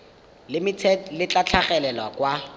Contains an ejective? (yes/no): no